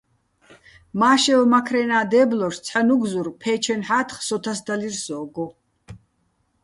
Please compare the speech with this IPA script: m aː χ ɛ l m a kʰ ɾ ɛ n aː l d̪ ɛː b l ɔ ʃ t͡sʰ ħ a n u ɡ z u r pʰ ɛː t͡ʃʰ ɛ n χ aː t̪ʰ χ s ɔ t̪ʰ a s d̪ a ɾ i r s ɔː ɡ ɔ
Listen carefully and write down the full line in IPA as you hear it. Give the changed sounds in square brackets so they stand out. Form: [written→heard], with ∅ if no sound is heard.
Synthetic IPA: m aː [χ→ʃ] ɛ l m a kʰ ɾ ɛ n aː [l→∅] d̪ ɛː b l ɔ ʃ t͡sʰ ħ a n u ɡ z u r pʰ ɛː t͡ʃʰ ɛ n [χ→ħ] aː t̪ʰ χ s ɔ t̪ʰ a s d̪ a [ɾ→l] i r s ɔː ɡ ɔ